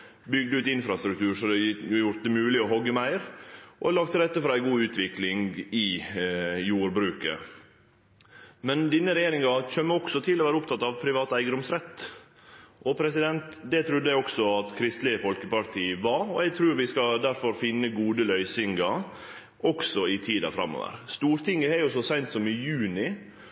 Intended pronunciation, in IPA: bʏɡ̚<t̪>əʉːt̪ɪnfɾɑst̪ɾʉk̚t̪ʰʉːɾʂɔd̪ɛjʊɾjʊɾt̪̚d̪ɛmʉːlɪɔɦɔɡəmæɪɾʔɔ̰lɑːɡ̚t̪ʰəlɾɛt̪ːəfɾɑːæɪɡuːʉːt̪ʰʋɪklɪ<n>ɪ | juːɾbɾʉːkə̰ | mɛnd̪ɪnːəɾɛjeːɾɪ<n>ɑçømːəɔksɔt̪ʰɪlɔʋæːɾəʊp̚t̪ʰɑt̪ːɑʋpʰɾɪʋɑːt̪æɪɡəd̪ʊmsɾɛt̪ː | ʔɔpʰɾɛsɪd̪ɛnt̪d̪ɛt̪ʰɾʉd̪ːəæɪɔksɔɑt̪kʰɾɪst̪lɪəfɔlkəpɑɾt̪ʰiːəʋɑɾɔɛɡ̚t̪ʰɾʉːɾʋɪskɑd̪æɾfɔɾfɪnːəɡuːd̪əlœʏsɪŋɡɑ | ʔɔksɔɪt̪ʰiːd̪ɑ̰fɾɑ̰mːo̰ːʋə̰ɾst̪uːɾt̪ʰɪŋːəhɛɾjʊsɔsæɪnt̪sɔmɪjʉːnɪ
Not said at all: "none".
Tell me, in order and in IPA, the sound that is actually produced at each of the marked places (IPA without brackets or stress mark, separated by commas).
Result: d̪, ŋ, ŋ